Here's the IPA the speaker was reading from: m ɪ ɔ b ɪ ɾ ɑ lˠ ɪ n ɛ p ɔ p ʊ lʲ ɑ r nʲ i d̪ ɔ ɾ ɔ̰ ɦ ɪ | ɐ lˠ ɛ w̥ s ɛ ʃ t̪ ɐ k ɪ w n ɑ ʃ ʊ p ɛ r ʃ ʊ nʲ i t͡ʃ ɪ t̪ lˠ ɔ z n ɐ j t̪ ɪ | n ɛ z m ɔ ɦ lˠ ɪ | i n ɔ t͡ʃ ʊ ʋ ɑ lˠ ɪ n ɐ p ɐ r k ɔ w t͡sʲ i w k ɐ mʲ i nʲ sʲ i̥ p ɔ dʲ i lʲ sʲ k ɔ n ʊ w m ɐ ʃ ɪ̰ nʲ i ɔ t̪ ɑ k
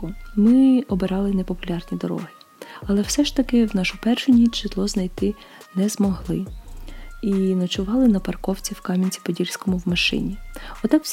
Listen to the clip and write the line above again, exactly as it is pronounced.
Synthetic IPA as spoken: m ɪ ɔ b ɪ ɾ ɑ lˠ ɪ n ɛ p ɔ p ʊ lʲ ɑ r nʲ i d̪ ɔ ɾ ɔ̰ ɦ ɪ | ɐ lˠ ɛ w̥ s ɛ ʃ t̪ ɐ k ɪ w n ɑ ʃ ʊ p ɛ r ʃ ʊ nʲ i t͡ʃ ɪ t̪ lˠ ɔ z n ɐ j t̪ ɪ | n ɛ z m ɔ ɦ lˠ ɪ | i n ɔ t͡ʃ ʊ ʋ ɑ lˠ ɪ n ɐ p ɐ r k ɔ w t͡sʲ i w k ɑ mʲ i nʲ t͡sʲ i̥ p ɔ dʲ i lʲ sʲ k ɔ m ʊ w m ɐ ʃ ɪ̰ nʲ i ɔ t̪ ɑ k